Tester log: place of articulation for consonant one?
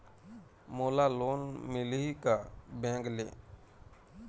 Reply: labial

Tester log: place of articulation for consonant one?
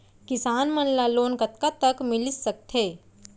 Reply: velar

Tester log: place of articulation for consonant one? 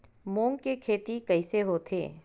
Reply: labial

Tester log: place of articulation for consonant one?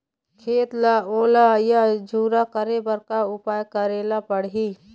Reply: velar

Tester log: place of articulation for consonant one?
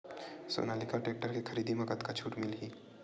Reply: alveolar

